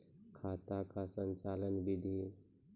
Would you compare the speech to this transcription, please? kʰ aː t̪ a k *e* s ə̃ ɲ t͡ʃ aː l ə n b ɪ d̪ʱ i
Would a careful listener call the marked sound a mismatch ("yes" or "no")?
yes